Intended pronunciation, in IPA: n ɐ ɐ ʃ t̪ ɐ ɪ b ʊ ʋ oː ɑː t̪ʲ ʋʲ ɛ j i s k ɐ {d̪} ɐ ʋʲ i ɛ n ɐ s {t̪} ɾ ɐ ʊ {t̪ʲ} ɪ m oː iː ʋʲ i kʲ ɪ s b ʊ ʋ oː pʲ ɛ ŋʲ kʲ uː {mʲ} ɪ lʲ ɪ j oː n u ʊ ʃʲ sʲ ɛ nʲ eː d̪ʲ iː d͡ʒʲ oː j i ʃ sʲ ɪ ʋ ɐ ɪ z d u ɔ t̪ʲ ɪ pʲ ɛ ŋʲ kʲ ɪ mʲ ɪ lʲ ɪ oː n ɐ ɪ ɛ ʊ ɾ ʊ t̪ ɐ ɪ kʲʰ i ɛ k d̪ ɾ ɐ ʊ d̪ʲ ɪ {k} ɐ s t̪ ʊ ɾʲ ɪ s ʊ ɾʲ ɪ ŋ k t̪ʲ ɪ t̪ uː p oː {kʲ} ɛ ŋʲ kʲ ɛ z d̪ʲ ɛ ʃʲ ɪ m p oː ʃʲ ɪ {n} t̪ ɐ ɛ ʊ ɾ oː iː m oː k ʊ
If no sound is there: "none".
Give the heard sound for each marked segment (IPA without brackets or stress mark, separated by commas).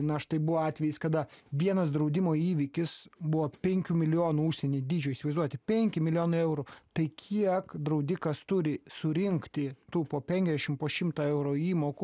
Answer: d̪, d̪, d̪ʲ, mʲ, k, pʲ, m